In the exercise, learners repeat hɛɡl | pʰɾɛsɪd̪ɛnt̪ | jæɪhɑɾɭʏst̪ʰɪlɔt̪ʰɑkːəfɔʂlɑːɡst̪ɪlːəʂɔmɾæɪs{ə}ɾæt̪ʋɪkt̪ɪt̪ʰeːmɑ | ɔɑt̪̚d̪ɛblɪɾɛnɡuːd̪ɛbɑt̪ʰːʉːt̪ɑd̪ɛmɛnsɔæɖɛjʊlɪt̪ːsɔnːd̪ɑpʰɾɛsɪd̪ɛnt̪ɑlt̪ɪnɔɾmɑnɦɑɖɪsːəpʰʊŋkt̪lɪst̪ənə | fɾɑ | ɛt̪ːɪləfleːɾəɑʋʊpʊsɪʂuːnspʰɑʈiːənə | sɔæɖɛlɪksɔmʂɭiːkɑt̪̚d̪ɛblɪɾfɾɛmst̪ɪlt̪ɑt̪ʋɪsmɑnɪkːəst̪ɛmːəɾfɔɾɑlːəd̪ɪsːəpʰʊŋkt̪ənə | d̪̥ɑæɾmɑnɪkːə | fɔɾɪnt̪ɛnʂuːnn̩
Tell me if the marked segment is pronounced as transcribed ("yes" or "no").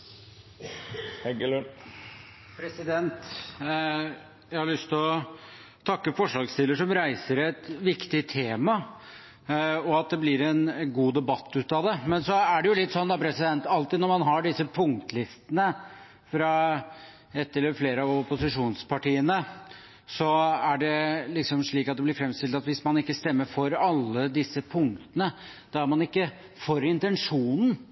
yes